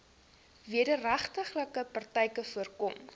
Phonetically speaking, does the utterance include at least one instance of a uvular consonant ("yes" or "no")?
yes